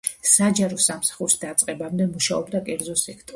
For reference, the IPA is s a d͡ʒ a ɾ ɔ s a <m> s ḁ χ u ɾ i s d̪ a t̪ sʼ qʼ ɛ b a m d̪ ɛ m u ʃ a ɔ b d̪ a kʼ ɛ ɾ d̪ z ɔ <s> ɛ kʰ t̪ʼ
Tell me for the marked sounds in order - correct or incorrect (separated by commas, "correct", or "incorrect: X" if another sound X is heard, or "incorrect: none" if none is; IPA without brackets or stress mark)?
correct, correct